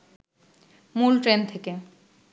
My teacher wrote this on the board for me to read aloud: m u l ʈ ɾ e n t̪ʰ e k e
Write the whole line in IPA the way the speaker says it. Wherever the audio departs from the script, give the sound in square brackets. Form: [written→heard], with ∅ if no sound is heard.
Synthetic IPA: m u l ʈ ɾ e n t̪ʰ e k e